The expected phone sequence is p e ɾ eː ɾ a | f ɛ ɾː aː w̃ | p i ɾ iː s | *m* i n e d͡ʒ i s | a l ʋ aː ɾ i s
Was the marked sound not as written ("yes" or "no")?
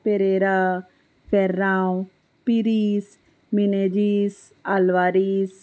no